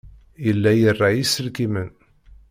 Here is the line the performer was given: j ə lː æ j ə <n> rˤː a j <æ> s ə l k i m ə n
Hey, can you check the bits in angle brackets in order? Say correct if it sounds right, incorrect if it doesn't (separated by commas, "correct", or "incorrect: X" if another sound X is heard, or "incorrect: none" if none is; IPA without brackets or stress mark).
incorrect: none, incorrect: i